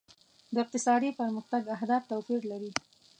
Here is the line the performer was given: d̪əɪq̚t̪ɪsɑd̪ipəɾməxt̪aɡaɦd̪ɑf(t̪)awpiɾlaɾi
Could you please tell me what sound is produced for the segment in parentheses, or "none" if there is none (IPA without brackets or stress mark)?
t̪